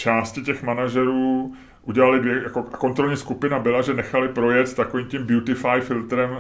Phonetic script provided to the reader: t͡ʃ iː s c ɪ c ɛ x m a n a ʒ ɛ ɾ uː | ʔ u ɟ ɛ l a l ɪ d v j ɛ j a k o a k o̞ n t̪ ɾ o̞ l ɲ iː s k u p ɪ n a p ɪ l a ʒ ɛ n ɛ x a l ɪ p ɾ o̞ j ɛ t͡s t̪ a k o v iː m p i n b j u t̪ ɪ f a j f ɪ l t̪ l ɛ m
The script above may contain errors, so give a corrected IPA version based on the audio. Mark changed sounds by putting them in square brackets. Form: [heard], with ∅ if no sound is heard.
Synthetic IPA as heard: t͡ʃ [aː] s c ɪ c ɛ x m a n a ʒ ɛ ɾ uː | ʔ u ɟ ɛ l a l ɪ d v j ɛ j a k o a k o̞ n t̪ ɾ o̞ l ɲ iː s k u p ɪ n a [b] ɪ l a ʒ ɛ n ɛ x a l ɪ p ɾ o̞ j ɛ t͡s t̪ a k o v iː m [c] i [m] b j u t̪ ɪ f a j f ɪ l t̪ [ɾ] ɛ m